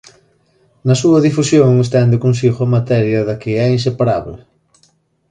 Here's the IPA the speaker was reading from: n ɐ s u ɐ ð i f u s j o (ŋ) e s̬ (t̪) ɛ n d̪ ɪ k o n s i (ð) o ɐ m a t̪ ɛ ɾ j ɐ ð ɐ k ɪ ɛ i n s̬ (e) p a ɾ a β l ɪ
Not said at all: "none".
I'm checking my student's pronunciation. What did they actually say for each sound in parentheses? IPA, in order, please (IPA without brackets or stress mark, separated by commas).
ŋ, t̪, ɣ, e